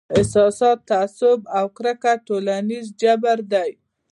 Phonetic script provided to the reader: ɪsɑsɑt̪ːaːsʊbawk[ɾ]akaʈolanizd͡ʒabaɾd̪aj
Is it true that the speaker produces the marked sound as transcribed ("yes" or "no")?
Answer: yes